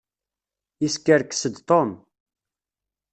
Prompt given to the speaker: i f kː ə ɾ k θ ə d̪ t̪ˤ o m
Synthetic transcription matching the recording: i s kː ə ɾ k s ə d̪ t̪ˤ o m